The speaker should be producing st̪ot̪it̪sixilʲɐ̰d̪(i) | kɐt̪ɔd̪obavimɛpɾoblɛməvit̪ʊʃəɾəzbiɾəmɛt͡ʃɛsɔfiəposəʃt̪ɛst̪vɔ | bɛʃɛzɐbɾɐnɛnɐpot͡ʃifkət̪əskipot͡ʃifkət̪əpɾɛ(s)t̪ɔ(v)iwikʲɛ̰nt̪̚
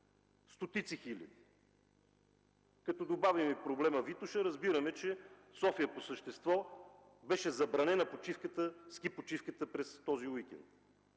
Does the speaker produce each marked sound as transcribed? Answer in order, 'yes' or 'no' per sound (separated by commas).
yes, yes, no